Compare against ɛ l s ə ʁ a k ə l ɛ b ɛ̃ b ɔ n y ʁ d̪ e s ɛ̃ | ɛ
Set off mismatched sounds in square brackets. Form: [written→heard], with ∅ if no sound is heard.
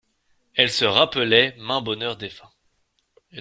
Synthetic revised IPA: ɛ l s ə ʁ a [k→p] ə l ɛ [b→m] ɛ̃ b ɔ n [y→œ] ʁ d̪ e [s→f] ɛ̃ | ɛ